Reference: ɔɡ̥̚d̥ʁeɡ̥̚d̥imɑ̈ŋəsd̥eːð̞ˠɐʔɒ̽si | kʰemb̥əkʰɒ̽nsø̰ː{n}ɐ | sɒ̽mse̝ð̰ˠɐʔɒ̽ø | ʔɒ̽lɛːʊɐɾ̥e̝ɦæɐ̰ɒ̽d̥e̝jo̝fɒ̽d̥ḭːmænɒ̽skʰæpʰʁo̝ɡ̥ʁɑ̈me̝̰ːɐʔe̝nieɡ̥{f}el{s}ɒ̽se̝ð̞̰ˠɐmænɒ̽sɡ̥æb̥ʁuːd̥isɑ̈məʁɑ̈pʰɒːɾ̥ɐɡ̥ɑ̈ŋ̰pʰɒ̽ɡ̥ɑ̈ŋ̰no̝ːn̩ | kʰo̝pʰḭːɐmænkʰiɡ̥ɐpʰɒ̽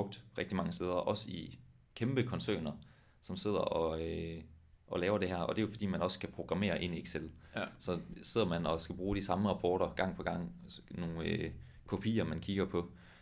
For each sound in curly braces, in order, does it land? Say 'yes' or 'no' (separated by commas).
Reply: yes, no, yes